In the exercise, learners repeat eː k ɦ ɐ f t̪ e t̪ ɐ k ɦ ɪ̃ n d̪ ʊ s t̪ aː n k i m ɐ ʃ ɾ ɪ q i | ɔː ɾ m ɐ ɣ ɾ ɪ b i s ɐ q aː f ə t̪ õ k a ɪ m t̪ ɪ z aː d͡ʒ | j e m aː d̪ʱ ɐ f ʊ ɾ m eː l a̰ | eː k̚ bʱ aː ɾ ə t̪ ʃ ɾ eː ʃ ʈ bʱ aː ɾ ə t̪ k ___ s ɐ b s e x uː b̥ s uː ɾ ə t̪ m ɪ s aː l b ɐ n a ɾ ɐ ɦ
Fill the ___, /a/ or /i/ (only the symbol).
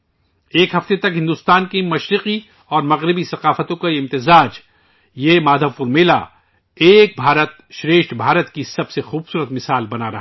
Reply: i